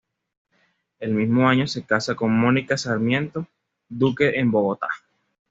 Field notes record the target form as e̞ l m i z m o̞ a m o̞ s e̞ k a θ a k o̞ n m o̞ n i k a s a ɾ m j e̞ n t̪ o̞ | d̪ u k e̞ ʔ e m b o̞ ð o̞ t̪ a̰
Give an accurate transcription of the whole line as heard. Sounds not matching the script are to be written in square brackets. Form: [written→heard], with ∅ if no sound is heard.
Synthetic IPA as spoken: e̞ l m i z m o̞ a [m→ɲ] o̞ s e̞ k a [θ→s] a k o̞ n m o̞ n i k a s a ɾ m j e̞ n t̪ o̞ | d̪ u k e̞ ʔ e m b o̞ [ð→ɣ] o̞ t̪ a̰